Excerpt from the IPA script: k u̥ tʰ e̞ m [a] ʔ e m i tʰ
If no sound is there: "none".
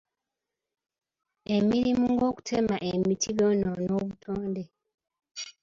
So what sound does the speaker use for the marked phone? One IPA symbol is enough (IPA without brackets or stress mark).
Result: a